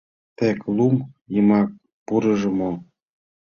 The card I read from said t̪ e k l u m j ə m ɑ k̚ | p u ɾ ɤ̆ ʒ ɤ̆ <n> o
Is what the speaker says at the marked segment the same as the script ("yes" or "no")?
no